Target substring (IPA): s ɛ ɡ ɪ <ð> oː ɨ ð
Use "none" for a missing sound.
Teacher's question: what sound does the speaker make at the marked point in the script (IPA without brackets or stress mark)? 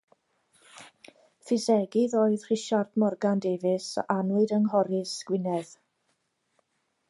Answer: ð